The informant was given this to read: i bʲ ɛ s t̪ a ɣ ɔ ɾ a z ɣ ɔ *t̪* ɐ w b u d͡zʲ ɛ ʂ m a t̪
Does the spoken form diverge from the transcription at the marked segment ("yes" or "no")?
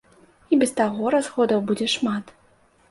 yes